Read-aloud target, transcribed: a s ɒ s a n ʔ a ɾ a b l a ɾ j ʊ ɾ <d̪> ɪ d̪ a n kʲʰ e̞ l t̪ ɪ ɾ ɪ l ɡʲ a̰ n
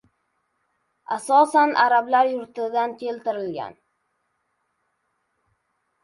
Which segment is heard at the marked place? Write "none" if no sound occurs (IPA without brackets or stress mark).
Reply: t̪